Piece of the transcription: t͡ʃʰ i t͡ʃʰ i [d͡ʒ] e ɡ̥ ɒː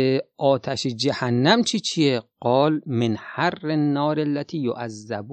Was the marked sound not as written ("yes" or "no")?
yes